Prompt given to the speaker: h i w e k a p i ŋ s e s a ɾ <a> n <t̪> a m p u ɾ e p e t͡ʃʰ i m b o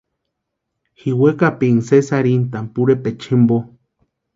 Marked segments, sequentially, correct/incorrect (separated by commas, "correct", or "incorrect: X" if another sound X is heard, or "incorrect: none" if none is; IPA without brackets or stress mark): incorrect: i, correct